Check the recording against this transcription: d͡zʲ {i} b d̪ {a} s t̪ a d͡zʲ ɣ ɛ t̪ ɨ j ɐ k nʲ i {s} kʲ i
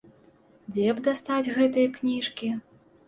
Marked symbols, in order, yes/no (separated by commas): no, yes, no